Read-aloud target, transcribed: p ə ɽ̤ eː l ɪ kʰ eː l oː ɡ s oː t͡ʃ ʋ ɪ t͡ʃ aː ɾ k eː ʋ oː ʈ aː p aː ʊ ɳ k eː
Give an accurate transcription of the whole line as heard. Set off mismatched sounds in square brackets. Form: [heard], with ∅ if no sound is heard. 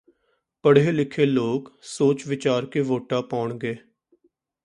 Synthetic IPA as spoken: p ə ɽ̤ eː l ɪ kʰ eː l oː [k] s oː t͡ʃ ʋ ɪ t͡ʃ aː ɾ k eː ʋ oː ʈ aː p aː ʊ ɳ [ɡ] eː